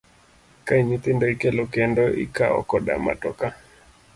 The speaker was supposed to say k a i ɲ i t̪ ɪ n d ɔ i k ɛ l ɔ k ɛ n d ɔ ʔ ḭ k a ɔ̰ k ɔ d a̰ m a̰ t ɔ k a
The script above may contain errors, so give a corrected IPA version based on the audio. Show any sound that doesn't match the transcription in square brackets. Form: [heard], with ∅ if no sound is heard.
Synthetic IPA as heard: k a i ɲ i t̪ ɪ n d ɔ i k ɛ l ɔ k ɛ n d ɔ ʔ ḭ k a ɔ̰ k ɔ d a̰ m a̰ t ɔ k a